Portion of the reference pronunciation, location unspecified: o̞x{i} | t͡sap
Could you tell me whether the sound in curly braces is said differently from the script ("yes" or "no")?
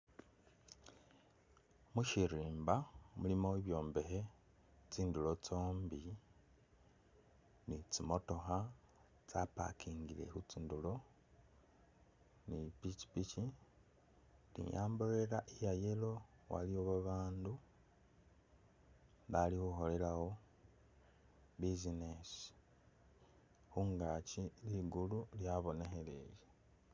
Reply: yes